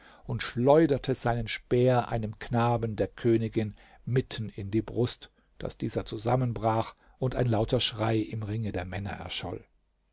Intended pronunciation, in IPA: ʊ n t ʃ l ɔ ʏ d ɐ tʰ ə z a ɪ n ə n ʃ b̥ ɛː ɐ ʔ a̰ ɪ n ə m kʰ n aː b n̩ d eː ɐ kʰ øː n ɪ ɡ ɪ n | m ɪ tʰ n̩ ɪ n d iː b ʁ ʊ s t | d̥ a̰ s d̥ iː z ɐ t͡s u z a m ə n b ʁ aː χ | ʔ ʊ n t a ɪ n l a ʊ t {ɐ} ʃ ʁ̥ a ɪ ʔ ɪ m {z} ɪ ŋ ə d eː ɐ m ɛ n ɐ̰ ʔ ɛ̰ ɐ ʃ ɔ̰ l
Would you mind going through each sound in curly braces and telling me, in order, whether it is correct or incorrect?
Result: correct, incorrect: ʁ

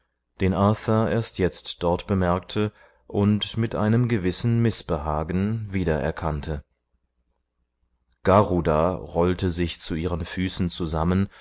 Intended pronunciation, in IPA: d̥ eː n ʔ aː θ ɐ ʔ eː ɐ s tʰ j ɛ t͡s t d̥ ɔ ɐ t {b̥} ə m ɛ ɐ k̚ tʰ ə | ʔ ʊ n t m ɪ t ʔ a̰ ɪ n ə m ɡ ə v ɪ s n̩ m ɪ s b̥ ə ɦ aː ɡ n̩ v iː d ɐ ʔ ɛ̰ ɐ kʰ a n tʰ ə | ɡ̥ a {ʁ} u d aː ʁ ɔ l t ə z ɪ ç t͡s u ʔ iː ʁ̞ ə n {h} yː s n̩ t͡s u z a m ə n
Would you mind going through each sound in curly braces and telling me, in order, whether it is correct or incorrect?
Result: correct, correct, incorrect: f

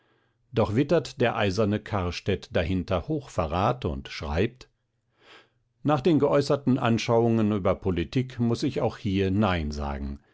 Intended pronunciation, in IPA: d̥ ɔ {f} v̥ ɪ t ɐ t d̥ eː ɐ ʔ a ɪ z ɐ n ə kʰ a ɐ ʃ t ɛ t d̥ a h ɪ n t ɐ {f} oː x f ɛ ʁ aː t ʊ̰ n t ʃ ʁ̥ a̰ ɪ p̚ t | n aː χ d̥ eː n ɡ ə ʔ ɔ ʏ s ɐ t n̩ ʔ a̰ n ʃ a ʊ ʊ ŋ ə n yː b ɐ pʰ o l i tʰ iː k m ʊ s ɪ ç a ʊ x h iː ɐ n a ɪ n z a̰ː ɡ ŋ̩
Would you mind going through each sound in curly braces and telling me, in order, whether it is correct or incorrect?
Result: incorrect: χ, incorrect: h

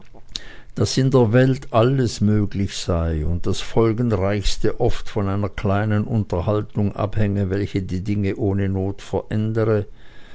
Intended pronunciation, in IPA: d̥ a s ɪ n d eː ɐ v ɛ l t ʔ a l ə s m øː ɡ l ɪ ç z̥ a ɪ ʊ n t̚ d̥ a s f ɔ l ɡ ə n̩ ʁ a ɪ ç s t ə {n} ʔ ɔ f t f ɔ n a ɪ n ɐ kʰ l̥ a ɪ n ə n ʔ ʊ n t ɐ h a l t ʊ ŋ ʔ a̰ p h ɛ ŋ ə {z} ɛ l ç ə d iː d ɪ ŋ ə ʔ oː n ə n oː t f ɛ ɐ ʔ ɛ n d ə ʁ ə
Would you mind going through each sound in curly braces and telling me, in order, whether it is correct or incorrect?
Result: incorrect: none, incorrect: v

